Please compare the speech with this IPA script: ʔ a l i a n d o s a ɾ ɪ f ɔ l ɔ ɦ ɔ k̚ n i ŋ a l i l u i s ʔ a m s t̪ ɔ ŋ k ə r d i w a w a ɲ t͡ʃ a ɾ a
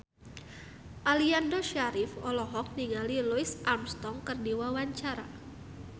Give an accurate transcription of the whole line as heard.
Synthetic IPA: ʔ a l i a n d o ʃ a ɾ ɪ f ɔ l ɔ ɦ ɔ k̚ n i ŋ a l i l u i s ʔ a m s t̪ ɔ ŋ k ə r d i w a w a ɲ t͡ʃ a ɾ a